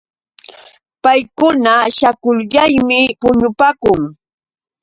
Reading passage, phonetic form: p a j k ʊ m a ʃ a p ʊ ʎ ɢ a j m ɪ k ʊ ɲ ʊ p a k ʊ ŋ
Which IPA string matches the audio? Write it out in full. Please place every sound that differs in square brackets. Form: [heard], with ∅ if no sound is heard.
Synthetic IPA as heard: p a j k ʊ [n] a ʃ a [k] ʊ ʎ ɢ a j m ɪ [p] ʊ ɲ ʊ p a k ʊ ŋ